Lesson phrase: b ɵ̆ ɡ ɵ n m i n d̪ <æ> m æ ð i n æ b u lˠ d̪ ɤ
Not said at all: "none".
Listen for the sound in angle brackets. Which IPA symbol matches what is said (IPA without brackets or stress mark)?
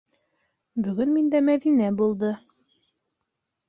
æ